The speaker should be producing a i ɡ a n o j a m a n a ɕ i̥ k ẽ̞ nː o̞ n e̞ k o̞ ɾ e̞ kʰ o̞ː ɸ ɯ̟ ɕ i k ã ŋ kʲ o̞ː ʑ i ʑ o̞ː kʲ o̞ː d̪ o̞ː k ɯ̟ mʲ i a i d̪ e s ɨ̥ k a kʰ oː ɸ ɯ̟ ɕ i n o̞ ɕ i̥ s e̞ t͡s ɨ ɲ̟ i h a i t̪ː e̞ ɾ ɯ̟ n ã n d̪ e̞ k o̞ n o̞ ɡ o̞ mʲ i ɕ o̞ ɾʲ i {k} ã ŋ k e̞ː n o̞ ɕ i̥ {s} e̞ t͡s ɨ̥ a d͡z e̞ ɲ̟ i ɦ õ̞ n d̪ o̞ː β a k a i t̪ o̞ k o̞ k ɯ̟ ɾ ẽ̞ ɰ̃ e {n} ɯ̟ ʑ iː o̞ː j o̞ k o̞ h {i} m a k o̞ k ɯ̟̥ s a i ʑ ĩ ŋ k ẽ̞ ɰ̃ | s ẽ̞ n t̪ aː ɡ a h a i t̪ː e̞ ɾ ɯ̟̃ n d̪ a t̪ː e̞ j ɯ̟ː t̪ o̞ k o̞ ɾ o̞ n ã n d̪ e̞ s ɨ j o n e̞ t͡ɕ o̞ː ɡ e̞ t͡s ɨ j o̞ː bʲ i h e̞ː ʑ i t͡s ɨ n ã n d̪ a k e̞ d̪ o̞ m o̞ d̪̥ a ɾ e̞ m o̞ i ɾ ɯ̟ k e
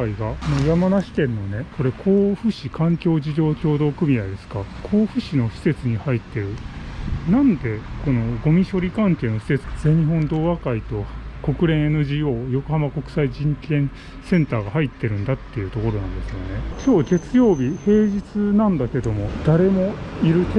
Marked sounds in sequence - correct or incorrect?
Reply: correct, correct, correct, incorrect

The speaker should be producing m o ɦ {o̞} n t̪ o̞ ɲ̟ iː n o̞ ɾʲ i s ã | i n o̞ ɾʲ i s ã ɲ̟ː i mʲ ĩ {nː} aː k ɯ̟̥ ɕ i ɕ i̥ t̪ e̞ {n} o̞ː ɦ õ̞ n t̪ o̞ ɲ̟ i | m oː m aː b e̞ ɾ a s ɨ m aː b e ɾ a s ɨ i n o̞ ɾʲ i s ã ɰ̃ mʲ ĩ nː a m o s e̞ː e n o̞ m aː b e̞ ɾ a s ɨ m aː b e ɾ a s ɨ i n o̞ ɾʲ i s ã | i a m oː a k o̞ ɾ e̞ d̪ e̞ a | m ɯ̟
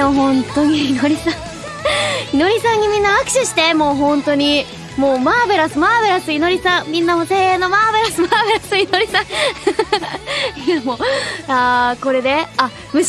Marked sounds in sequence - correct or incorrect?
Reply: incorrect, correct, incorrect

